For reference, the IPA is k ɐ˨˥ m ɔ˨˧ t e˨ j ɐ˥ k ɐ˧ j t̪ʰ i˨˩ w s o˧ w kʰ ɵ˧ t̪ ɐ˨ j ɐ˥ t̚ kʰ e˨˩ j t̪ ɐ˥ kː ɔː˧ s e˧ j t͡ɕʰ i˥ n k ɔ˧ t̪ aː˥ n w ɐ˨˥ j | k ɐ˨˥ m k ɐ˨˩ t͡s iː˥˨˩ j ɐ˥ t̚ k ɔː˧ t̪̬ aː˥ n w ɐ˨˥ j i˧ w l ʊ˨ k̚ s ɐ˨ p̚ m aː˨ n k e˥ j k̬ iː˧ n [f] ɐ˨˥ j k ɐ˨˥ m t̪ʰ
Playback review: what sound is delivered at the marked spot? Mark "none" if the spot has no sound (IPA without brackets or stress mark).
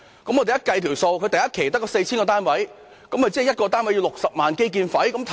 f